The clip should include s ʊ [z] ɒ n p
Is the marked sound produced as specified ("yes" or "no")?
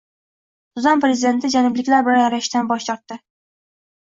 yes